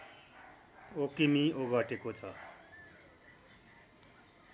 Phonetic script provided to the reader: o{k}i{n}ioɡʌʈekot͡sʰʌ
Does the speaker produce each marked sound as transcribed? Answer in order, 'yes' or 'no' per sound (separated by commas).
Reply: yes, no